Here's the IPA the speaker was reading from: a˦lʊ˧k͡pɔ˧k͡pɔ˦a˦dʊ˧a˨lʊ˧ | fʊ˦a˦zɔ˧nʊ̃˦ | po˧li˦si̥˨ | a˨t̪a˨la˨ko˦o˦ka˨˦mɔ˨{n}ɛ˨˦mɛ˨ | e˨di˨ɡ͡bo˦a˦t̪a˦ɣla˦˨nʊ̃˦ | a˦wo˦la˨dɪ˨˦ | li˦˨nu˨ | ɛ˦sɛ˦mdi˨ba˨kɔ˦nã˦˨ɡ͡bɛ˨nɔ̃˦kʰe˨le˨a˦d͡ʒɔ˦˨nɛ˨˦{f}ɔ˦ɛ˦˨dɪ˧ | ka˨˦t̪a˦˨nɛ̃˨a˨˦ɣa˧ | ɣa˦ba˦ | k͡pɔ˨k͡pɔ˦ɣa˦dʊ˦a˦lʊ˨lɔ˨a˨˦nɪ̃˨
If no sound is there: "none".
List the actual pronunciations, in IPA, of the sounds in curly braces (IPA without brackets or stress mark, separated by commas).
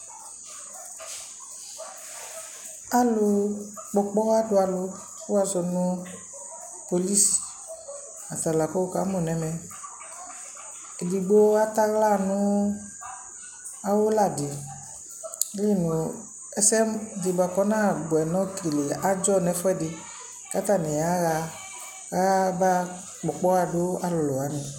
n, f